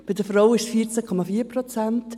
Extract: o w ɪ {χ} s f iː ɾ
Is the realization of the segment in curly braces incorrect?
yes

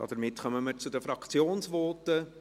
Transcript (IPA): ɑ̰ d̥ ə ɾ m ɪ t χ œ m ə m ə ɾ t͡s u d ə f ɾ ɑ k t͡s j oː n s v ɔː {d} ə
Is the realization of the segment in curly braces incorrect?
yes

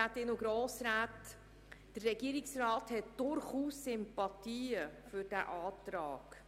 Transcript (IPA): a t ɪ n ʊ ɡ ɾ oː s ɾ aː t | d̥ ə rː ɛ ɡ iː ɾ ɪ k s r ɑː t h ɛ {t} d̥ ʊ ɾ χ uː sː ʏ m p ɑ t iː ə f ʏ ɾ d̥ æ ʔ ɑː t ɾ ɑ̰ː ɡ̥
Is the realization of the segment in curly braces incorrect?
no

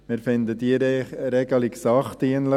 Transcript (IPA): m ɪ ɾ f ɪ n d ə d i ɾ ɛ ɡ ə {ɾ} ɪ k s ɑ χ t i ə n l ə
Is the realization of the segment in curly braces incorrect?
yes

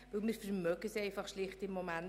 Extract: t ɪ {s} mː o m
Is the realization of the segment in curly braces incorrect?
yes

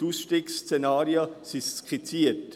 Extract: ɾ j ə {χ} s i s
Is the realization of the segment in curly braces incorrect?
yes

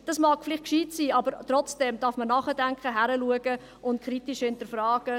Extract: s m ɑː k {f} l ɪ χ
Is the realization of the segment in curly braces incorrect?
no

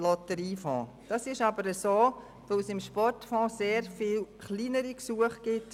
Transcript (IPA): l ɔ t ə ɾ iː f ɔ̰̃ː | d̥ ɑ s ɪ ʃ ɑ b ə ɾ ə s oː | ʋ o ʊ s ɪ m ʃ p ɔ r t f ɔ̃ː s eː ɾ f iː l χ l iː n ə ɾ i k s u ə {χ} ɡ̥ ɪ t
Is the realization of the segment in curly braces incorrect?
no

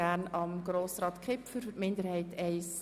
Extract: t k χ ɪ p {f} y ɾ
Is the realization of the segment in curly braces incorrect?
no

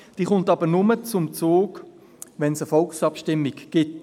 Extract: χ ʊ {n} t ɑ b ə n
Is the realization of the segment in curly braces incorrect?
no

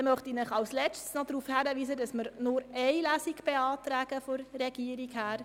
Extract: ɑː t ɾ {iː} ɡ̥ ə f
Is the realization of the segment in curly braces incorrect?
yes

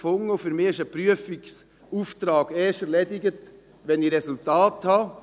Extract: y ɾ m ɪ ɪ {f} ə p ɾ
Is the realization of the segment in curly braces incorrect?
yes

